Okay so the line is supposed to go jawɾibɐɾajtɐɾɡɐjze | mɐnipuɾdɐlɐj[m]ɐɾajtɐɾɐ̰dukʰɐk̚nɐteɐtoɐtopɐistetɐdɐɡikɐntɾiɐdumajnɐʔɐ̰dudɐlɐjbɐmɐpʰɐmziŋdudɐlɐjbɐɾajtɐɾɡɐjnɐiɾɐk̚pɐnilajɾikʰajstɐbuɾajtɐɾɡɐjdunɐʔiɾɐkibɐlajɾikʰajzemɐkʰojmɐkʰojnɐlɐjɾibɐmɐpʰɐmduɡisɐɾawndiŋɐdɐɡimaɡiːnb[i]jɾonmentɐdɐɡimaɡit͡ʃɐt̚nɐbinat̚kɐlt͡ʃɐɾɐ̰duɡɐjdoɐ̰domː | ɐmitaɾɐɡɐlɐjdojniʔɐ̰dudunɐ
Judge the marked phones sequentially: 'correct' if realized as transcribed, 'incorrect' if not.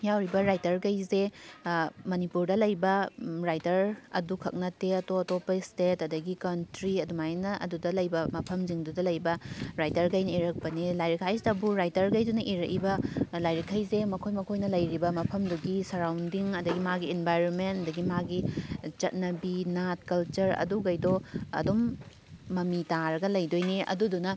incorrect: b, incorrect: a

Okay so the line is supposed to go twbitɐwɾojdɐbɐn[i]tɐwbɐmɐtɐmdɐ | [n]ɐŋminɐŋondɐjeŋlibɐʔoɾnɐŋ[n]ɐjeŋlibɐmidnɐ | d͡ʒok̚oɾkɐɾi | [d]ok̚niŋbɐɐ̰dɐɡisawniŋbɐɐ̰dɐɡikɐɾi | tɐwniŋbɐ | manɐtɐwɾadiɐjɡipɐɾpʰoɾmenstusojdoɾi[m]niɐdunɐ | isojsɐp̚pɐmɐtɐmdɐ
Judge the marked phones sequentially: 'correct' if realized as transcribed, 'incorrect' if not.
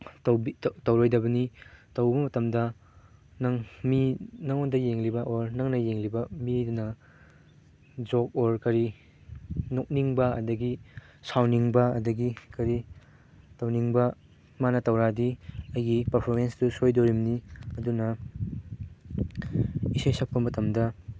correct, correct, correct, incorrect: n, correct

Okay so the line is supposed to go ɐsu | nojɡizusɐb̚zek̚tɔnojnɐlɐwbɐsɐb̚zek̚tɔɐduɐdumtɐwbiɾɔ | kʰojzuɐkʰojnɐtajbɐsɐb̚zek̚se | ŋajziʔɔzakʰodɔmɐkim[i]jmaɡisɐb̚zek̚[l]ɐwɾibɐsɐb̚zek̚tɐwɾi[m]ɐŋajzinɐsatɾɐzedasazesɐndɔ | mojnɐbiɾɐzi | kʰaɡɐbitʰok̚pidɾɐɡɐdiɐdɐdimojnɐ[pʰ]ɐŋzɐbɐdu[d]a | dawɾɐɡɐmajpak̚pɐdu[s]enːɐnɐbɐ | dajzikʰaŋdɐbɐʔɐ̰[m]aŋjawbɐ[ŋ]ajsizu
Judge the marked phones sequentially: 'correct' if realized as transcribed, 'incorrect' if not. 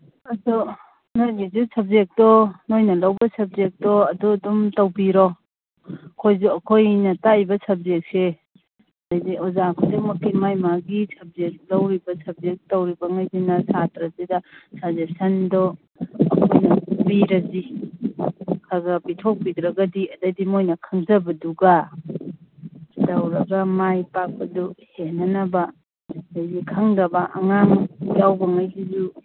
incorrect: a, correct, incorrect: b, incorrect: kʰ, incorrect: ɡ, incorrect: h, incorrect: ŋ, correct

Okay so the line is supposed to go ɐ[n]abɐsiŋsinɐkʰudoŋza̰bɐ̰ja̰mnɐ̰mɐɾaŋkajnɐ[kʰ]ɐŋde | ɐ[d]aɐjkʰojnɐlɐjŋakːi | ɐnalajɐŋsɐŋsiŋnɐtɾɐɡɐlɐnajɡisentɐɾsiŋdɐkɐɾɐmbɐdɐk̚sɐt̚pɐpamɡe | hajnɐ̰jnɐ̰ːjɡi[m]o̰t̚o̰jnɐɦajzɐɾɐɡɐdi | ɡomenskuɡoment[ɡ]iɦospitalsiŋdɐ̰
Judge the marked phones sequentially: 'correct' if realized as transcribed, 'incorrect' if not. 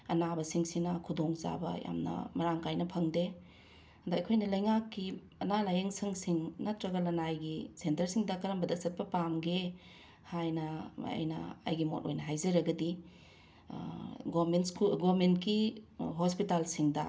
correct, incorrect: pʰ, correct, correct, incorrect: k

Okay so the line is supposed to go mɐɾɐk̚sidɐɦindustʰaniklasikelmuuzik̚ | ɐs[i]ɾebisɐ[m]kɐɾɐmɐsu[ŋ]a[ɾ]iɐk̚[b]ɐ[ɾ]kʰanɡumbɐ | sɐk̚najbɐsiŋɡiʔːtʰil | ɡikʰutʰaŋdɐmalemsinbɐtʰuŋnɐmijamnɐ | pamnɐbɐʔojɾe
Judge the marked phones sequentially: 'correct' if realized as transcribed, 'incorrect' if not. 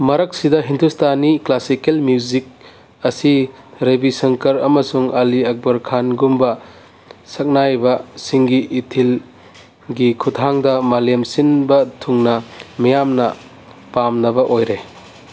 correct, incorrect: ŋ, correct, incorrect: l, correct, correct

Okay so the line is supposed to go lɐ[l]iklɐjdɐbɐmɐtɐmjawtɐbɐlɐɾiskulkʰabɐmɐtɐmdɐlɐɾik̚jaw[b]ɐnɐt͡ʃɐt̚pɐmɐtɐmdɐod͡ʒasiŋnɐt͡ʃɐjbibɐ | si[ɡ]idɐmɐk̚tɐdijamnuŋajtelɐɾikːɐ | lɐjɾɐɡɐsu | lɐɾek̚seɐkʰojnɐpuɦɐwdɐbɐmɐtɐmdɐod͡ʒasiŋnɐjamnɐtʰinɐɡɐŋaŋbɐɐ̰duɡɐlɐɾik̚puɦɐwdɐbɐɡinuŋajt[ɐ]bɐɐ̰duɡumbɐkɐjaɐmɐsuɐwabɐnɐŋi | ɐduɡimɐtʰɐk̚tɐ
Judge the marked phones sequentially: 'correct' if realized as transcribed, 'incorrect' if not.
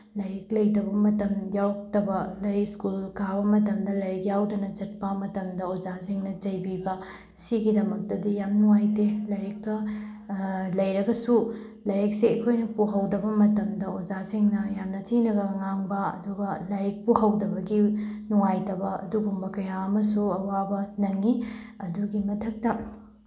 incorrect: ɾ, incorrect: d, correct, correct

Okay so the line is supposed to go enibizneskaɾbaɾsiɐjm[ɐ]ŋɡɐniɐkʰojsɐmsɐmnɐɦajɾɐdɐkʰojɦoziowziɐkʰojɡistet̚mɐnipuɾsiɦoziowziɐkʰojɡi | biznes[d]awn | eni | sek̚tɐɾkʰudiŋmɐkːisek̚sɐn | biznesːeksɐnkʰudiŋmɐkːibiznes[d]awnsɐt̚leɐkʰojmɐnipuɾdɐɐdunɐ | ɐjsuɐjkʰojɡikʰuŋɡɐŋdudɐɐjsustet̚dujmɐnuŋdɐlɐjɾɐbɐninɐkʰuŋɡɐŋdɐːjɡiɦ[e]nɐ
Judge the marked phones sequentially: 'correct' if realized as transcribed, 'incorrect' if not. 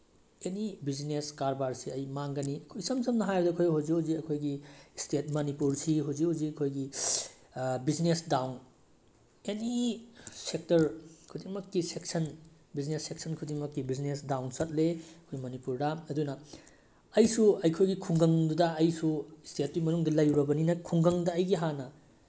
incorrect: a, correct, correct, incorrect: a

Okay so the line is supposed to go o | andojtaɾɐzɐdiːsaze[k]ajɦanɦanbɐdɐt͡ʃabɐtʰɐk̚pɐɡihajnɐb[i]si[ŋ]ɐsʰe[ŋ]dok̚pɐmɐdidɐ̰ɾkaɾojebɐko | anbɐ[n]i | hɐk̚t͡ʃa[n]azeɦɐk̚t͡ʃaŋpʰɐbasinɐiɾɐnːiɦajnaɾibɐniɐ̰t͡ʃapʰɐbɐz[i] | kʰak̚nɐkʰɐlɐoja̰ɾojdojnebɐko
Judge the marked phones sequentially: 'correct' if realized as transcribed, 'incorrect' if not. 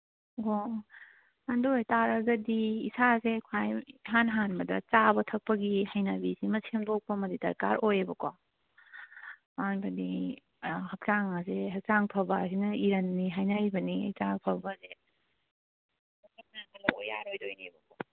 incorrect: kʰ, correct, incorrect: m, incorrect: m, incorrect: d, incorrect: ŋ, incorrect: e

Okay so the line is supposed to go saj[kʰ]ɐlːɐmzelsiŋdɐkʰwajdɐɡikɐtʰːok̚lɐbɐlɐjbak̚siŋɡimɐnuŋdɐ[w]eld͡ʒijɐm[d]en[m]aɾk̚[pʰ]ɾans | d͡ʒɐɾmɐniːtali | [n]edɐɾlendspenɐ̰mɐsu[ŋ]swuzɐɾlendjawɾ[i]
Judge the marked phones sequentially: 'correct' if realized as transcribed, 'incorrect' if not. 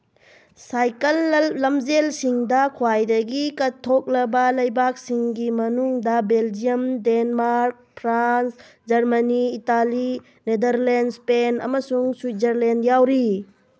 incorrect: k, incorrect: b, correct, correct, correct, correct, correct, correct

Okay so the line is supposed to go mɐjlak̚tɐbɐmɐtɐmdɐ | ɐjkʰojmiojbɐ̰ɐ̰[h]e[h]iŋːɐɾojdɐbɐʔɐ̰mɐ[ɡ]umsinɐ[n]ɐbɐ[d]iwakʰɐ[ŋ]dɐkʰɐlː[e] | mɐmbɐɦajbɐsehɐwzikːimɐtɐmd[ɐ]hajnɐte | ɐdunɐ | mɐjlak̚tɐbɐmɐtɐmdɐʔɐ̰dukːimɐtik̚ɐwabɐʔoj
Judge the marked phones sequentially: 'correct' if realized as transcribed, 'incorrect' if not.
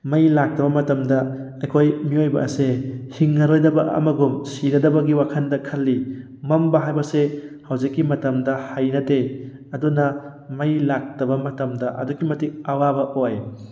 incorrect: s, correct, correct, incorrect: d, incorrect: ɡ, incorrect: n, incorrect: i, correct

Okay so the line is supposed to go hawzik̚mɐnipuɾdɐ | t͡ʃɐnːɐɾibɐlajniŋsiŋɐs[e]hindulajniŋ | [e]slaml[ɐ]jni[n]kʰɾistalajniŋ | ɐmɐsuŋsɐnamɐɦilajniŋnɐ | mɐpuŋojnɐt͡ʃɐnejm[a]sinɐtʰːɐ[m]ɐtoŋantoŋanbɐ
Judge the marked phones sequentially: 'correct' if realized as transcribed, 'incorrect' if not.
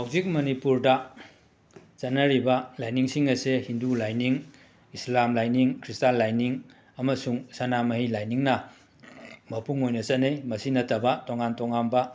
correct, incorrect: i, incorrect: a, incorrect: ŋ, incorrect: ɐ, incorrect: b

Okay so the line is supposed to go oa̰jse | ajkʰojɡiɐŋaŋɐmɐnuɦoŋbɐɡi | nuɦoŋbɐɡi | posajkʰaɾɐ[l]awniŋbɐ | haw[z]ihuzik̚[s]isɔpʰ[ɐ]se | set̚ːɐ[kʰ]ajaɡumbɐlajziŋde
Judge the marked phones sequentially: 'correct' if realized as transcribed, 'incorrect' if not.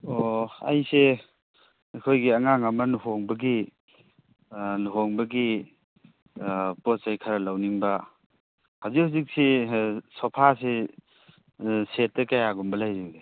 correct, correct, correct, incorrect: a, incorrect: k

